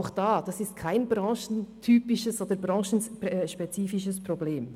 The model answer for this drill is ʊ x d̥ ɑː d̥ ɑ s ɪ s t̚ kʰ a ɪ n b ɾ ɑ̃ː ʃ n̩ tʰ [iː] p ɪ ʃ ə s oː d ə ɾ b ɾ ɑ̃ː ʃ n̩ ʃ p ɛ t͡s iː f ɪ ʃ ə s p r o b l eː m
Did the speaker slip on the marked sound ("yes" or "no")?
yes